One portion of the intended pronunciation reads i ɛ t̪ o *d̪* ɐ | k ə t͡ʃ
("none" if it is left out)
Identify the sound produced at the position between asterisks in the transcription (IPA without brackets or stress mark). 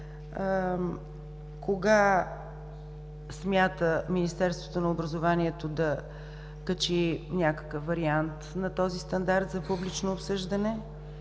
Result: d̪